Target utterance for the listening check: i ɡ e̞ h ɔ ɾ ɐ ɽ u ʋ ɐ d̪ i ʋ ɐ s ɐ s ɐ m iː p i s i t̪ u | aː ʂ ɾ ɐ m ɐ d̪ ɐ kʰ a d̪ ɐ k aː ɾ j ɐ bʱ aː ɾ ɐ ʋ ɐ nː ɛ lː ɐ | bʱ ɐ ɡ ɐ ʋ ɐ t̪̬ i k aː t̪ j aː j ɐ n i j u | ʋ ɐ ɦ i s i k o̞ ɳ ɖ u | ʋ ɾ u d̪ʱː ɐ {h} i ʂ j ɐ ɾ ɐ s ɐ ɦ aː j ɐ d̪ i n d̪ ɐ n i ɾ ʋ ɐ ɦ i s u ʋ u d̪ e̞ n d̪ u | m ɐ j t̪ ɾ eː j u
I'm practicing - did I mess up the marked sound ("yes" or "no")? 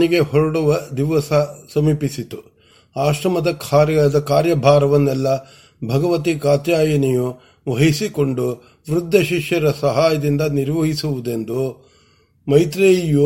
yes